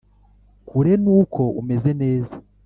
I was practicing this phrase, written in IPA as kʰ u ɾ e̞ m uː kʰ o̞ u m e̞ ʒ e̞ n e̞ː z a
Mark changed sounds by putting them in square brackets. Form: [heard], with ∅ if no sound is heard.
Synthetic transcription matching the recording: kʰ u ɾ e̞ [n] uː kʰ o̞ u m e̞ [z] e̞ n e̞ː z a